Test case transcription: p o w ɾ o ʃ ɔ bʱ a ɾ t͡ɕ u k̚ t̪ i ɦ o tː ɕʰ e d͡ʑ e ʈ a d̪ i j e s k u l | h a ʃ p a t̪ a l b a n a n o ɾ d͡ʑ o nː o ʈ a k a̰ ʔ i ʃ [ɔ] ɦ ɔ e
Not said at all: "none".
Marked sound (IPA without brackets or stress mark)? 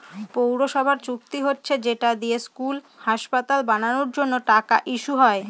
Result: u